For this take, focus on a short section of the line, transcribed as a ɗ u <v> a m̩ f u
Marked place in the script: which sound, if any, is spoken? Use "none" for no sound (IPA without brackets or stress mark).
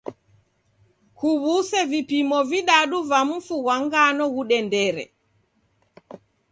v